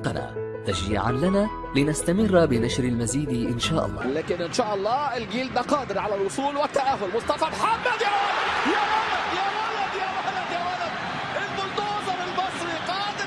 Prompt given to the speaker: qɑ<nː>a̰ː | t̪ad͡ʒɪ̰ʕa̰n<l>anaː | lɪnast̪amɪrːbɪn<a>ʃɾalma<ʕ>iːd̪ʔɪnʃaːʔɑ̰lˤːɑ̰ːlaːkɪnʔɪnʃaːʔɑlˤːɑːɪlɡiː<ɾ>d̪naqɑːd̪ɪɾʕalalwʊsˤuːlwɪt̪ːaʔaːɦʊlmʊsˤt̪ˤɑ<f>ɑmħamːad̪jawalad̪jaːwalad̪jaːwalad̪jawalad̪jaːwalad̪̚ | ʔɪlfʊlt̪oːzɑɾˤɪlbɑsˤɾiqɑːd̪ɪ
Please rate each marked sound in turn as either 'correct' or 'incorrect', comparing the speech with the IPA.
incorrect: n, correct, correct, incorrect: z, incorrect: l, correct

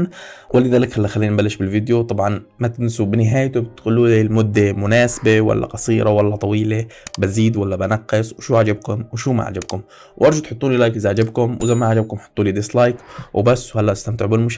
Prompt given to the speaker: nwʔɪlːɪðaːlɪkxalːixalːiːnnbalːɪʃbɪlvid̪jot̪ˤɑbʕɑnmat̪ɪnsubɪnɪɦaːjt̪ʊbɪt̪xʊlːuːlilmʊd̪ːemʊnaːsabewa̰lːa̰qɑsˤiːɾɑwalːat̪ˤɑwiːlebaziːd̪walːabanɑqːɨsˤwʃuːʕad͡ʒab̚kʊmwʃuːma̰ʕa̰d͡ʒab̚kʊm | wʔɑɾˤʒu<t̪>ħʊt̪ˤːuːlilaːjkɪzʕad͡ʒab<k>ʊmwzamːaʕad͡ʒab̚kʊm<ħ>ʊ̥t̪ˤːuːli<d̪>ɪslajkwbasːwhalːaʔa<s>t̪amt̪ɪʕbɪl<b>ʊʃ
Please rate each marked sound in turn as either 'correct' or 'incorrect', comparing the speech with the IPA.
correct, correct, correct, correct, correct, incorrect: m

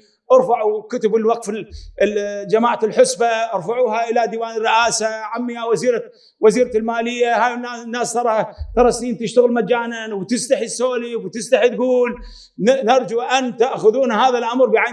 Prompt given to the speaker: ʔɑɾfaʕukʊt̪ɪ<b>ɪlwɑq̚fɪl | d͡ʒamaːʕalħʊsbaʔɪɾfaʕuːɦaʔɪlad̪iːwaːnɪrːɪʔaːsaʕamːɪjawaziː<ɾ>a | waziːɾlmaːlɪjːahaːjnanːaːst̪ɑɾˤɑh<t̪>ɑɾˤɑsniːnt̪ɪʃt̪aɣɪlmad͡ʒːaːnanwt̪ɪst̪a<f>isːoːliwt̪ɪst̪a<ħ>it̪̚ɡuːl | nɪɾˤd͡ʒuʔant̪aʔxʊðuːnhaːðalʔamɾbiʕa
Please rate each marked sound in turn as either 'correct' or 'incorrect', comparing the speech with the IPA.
correct, correct, correct, incorrect: ħ, correct

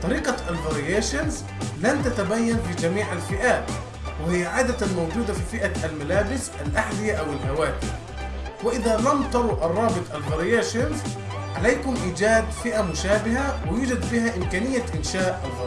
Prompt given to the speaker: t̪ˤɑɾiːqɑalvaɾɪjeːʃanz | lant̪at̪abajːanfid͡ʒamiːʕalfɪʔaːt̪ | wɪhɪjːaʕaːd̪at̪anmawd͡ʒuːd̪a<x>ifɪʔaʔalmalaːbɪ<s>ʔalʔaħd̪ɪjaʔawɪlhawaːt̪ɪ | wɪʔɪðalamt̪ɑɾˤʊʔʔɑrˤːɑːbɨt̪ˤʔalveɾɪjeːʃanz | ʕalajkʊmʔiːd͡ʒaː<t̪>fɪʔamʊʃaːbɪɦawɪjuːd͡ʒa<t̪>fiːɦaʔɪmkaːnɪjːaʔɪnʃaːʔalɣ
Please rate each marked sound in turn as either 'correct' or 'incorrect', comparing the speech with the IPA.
incorrect: f, correct, incorrect: d̪, incorrect: d̪

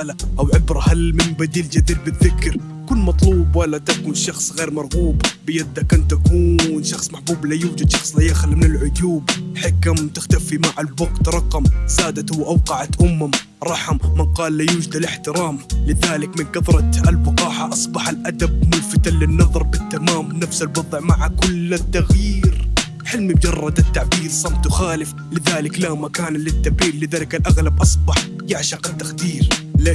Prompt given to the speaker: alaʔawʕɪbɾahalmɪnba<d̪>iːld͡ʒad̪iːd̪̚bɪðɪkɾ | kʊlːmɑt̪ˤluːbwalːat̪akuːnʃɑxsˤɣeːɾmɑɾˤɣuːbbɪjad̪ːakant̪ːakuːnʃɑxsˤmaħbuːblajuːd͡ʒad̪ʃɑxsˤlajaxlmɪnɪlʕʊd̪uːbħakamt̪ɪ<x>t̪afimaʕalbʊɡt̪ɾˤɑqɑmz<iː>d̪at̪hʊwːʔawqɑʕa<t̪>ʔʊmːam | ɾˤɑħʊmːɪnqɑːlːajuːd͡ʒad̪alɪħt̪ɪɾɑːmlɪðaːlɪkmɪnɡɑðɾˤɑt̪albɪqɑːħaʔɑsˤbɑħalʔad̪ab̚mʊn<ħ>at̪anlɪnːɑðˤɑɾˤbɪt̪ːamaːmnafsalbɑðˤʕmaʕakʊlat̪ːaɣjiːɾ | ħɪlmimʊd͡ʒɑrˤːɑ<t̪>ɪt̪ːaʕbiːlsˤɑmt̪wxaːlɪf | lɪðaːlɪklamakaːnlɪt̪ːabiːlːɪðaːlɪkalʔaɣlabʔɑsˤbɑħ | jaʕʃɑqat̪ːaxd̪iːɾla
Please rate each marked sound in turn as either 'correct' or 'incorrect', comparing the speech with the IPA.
correct, correct, incorrect: aː, correct, incorrect: f, incorrect: d̪

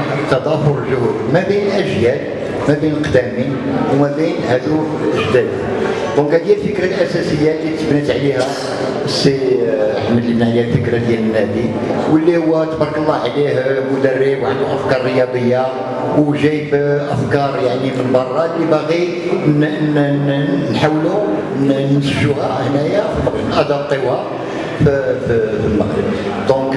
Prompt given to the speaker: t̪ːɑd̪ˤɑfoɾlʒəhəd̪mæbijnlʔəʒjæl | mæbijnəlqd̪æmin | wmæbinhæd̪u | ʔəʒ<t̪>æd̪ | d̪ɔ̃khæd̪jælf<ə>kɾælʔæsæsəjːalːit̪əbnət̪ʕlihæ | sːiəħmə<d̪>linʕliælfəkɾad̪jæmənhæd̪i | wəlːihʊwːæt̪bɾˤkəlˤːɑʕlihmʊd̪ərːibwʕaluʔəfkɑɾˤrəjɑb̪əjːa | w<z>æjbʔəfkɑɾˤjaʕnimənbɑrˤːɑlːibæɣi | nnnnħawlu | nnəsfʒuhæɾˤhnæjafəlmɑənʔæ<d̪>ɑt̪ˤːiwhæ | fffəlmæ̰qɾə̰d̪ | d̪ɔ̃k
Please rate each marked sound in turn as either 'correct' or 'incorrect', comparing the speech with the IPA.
incorrect: d̪, correct, correct, incorrect: ʒ, correct

